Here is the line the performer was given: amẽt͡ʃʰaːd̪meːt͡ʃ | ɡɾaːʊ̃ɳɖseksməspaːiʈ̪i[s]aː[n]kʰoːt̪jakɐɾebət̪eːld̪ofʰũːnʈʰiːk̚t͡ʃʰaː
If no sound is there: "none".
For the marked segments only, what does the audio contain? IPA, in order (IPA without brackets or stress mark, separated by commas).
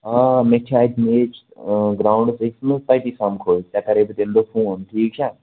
s, m